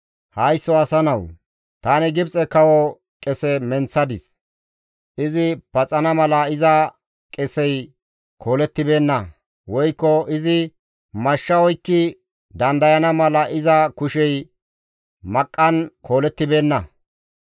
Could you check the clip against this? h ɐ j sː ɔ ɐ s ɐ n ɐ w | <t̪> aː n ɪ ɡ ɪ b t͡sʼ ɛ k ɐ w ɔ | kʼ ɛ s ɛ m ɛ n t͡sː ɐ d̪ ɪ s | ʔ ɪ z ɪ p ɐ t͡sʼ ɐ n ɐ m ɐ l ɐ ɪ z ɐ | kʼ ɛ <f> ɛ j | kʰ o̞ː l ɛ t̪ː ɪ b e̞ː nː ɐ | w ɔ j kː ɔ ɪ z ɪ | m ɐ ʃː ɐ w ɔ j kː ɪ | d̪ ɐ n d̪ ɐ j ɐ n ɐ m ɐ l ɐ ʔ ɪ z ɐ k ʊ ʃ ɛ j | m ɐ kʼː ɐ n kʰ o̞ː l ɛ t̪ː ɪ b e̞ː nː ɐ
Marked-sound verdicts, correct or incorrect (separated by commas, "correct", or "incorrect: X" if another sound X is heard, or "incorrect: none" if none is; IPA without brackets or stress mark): correct, incorrect: s